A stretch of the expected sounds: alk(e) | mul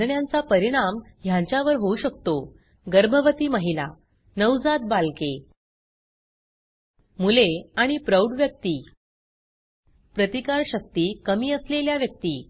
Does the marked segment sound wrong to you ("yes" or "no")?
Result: no